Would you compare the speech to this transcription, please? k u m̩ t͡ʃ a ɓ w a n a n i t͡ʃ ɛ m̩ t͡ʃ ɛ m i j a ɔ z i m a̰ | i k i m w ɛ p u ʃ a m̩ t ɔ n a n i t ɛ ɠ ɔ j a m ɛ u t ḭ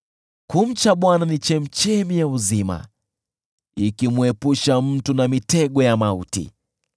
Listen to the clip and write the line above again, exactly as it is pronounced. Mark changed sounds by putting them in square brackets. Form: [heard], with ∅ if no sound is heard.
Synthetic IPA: k u m̩ t͡ʃ a ɓ w a n a n i t͡ʃ ɛ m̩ t͡ʃ ɛ m i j a [u] z i m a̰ | i k i m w ɛ p u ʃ a m̩ t [u] n a [m] i t ɛ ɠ ɔ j a m [a] u t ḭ